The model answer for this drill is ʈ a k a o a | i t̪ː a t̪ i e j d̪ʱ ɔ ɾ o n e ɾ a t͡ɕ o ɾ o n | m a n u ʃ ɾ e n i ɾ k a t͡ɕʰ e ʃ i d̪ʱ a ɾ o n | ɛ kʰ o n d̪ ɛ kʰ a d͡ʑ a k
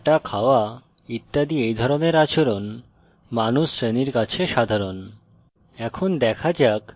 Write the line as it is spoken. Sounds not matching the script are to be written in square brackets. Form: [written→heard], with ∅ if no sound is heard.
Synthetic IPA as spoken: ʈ a [k→kʰ] a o a | i t̪ː a [t̪→d̪] i e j d̪ʱ ɔ ɾ o n e ɾ a t͡ɕ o ɾ o n | m a n u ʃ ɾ e n i ɾ k a t͡ɕʰ e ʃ [i→a] d̪ʱ a ɾ o n | ɛ kʰ o n d̪ ɛ kʰ a d͡ʑ a k